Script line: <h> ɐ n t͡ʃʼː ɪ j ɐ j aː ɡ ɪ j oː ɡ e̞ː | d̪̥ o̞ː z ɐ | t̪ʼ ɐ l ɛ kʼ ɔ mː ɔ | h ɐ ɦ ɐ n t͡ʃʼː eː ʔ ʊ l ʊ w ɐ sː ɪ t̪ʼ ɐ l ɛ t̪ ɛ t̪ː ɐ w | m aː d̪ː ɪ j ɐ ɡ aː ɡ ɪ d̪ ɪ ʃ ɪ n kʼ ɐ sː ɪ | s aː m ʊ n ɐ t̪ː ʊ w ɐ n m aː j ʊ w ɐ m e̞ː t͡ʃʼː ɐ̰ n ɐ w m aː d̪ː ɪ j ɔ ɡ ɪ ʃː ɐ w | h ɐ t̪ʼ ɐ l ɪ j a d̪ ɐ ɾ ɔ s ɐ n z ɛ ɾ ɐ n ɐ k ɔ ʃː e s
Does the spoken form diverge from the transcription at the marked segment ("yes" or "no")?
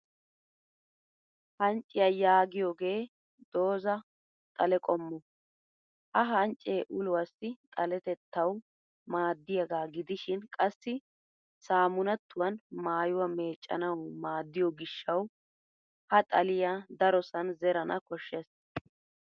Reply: no